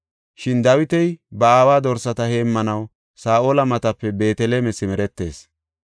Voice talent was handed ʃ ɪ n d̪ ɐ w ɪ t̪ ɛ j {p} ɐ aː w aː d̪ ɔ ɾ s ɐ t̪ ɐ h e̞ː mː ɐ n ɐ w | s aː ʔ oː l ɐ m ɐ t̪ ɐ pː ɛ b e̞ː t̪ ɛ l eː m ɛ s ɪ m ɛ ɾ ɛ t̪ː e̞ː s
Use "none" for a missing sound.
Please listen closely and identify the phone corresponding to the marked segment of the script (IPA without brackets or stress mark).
b